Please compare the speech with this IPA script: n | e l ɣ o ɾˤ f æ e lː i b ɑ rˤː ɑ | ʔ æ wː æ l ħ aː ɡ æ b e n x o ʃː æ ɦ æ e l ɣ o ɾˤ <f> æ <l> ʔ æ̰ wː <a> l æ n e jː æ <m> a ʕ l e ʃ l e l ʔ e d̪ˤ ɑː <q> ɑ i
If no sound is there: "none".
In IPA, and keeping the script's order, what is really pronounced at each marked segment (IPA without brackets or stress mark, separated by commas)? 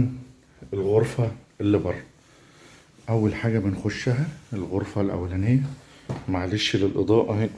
f, l, æ, m, ʔ